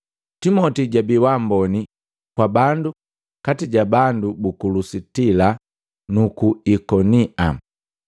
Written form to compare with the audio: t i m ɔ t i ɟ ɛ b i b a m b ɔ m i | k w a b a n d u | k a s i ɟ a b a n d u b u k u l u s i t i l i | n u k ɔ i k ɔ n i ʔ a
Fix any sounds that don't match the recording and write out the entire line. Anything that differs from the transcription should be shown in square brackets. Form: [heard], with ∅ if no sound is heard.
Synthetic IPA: t i m ɔ t i ɟ [a] b i [w] a m b ɔ [n] i | k w a b a n d u | k a [t] i ɟ a b a n d u b u k u l u s i t i l [a] | n u k [u] i k ɔ n i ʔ a